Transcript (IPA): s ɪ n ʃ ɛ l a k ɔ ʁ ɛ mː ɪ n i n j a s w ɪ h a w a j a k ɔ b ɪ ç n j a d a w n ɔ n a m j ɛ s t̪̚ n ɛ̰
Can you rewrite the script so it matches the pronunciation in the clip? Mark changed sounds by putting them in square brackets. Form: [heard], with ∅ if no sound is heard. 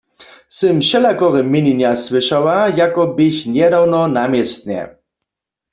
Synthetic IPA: s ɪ [m] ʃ ɛ l a k ɔ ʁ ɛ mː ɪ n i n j a s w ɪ [ʃ] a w a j a k ɔ b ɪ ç n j [ɛ] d a w n ɔ n a m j ɛ s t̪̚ n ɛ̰